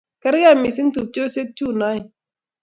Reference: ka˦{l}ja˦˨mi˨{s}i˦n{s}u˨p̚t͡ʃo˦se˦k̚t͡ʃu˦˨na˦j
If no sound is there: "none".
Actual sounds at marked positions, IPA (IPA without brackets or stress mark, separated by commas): ɾ, s, t